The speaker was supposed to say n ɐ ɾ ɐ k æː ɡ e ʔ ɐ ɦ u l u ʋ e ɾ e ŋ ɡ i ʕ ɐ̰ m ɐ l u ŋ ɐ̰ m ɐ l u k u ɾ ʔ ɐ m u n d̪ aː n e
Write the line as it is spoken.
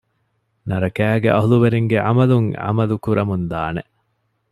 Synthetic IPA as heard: n ɐ ɾ ɐ k æː ɡ e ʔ ɐ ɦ u l u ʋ e ɾ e ŋ ɡ e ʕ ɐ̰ m ɐ l u ŋ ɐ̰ m ɐ l u k u ɾ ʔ ɐ m u n d̪ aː n e